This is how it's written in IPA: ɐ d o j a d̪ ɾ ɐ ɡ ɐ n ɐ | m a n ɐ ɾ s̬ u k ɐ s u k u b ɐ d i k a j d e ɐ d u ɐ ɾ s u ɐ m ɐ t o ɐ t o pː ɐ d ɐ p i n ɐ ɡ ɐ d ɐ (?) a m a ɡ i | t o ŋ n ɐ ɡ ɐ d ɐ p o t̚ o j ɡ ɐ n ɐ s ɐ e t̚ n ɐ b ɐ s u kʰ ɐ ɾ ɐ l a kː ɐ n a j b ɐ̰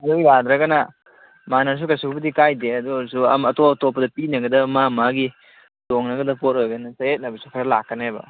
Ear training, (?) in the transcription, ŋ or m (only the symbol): m